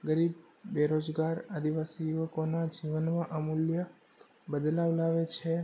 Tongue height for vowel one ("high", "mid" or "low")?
mid